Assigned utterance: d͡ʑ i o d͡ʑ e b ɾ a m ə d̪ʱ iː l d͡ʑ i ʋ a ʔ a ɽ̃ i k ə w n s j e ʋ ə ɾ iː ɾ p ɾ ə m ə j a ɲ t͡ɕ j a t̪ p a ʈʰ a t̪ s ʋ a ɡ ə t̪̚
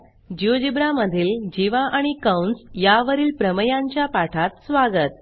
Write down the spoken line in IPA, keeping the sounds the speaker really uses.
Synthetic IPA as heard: d͡ʑ i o d͡ʑ i b ɾ a m ə d̪ʱ iː l d͡ʑ i ʋ a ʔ a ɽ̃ i k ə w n s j a ʋ ə ɾ iː l p ɾ ə m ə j a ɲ t͡ɕ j a p a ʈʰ a t̪ s ʋ a ɡ ə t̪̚